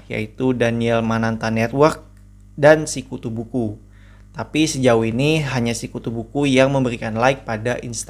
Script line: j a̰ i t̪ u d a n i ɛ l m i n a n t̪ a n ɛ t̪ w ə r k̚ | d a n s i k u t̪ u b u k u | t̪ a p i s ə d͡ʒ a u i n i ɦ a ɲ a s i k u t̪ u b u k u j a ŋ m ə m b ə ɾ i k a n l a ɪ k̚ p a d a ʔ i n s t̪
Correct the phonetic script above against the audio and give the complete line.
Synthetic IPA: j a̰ i t̪ u d a n i ɛ l m a n a n t̪ a n ɛ t̪ w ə r k̚ | d a n s i k u t̪ u b u k u | t̪ a p i s ə d͡ʒ a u i n i ɦ a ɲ a s i k u t̪ u b u k u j a ŋ m ə m b ə ɾ i k a n l a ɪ k̚ p a d a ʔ i n s t̪